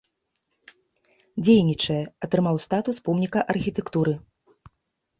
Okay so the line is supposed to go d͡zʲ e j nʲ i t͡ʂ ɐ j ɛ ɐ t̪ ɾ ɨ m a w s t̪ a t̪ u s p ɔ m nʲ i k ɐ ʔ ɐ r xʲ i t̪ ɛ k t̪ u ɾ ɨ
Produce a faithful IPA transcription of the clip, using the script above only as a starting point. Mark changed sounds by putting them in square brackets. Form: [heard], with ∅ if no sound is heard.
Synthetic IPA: d͡zʲ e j nʲ i t͡ʂ ɐ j ɛ ɐ t̪ ɾ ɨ m a w s t̪ a t̪ u s p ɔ m nʲ i k ɐ ʔ ɐ r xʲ i t̪ ɛ k t̪ u ɾ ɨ